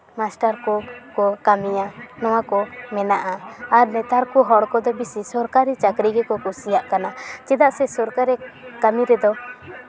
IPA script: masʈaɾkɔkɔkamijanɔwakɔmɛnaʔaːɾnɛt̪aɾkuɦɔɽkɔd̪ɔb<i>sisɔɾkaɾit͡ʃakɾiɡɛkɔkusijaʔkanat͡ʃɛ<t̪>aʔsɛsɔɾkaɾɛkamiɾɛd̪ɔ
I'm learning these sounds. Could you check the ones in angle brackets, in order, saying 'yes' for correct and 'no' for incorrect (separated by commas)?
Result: yes, no